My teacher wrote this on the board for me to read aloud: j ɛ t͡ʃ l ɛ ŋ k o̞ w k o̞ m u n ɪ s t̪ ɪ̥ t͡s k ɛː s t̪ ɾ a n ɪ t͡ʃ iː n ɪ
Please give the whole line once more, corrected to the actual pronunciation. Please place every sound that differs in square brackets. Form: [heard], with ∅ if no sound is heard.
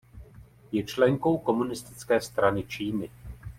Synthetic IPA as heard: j ɛ t͡ʃ l ɛ ŋ k o̞ w k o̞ m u n ɪ s t̪ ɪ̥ t͡s k ɛː s t̪ ɾ a n ɪ t͡ʃ iː n ɪ